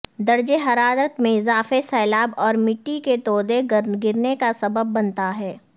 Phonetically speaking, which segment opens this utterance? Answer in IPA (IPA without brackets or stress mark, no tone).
d̪